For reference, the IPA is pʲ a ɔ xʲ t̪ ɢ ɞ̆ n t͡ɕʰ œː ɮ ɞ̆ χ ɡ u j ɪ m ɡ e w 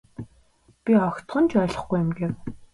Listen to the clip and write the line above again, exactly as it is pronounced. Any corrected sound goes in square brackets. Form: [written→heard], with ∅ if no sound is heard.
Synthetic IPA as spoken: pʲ [a→i] ɔ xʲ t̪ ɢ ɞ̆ n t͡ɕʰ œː ɮ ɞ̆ χ ɡ u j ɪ m ɡ e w